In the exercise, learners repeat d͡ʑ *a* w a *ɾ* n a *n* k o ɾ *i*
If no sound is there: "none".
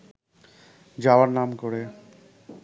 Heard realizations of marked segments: a, ɾ, m, e

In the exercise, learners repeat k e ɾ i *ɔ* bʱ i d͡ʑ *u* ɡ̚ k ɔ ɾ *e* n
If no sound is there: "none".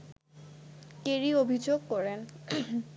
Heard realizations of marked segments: o, o, e

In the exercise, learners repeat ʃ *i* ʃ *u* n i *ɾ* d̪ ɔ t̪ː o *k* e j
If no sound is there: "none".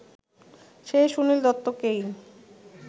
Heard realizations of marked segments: e, u, l, k

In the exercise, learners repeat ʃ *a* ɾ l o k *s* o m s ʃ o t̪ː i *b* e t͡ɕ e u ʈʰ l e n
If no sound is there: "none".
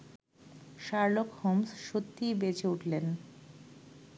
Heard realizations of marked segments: a, h, b

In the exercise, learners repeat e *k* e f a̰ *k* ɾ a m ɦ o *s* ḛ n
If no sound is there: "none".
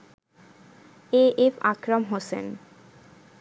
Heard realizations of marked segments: none, k, s

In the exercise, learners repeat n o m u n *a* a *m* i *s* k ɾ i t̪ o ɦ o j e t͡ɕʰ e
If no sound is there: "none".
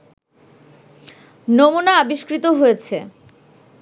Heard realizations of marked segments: a, b, ʃ

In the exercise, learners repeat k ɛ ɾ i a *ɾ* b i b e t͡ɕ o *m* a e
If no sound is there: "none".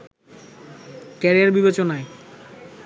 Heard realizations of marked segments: ɾ, n

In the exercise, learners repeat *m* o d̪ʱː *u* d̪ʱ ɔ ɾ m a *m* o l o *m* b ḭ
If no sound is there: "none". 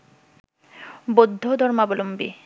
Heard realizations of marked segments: b, o, b, m

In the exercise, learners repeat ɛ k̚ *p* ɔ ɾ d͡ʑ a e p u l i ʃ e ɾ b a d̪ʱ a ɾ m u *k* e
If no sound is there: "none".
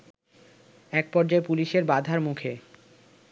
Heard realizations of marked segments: p, kʰ

